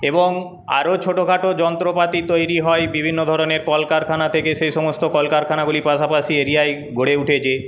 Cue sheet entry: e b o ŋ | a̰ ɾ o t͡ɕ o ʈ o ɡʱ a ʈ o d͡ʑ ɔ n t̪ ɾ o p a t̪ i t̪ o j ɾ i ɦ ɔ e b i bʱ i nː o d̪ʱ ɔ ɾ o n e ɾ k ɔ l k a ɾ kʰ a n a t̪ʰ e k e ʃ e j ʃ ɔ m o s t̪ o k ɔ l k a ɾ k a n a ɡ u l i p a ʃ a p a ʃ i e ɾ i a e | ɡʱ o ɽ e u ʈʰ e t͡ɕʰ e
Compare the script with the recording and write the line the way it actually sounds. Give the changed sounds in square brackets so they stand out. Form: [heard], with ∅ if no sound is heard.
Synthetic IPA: e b o ŋ | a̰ ɾ o [t͡ɕʰ] o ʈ o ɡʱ a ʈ o d͡ʑ ɔ n t̪ ɾ o p a t̪ i t̪ o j ɾ i ɦ ɔ e b i bʱ i nː o d̪ʱ ɔ ɾ o n e ɾ k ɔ l k a ɾ kʰ a n a t̪ʰ e k e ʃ e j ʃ ɔ m o s t̪ o k ɔ l k a ɾ [kʰ] a n a ɡ u l i p a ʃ a p a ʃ i e ɾ i a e | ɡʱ o ɽ e u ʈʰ e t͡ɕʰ e